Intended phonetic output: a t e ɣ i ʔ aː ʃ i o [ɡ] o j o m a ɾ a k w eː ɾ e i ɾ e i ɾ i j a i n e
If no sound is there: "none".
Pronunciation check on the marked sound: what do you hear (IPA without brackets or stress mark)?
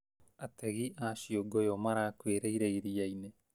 ɡ